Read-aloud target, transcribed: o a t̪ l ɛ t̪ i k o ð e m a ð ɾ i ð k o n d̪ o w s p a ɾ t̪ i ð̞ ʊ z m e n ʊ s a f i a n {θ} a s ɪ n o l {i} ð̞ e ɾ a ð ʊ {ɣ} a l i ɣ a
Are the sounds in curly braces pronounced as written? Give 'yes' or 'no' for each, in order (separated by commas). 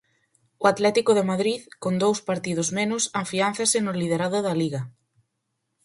yes, yes, no